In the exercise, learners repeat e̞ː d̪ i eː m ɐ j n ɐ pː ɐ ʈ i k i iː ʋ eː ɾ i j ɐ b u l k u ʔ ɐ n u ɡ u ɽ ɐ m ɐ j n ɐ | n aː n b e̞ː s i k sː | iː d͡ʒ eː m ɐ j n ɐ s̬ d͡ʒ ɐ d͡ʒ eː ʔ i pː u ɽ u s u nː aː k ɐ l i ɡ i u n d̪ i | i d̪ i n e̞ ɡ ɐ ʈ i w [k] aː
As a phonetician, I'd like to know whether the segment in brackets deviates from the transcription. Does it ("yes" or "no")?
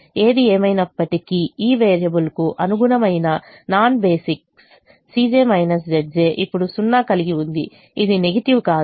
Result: no